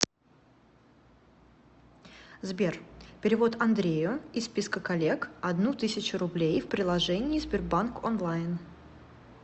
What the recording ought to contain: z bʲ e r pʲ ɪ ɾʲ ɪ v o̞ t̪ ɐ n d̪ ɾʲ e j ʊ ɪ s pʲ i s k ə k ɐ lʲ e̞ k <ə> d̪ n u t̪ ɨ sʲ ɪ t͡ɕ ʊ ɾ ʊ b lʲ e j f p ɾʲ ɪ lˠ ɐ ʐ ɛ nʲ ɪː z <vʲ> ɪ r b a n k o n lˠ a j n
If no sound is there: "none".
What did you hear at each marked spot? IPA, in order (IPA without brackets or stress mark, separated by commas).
ɐ, bʲ